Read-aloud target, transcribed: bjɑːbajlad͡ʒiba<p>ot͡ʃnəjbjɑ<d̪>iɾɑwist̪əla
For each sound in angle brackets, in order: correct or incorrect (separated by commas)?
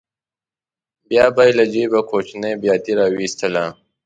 incorrect, incorrect